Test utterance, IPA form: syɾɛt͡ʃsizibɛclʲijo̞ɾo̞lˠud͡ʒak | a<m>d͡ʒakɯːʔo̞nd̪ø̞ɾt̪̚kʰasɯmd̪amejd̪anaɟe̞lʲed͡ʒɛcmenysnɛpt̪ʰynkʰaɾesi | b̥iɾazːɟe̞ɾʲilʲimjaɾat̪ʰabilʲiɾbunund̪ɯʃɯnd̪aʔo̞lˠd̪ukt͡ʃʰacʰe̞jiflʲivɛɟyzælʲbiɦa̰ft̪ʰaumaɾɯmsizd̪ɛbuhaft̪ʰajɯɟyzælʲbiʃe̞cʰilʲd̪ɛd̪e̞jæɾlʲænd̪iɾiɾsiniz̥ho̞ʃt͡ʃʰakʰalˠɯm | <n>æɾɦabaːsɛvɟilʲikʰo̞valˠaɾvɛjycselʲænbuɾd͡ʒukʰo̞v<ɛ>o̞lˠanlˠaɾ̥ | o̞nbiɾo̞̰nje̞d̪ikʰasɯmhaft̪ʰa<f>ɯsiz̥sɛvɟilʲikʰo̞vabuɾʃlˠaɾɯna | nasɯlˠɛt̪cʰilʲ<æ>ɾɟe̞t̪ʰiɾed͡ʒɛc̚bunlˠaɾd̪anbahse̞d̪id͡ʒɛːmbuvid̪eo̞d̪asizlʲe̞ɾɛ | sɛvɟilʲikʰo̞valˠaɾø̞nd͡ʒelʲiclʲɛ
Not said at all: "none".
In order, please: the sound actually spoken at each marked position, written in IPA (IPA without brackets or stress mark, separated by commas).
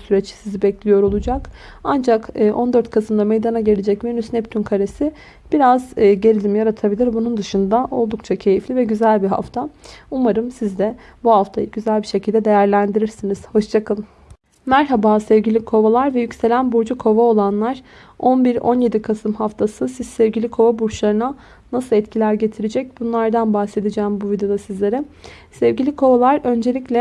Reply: n, m, a, s, æ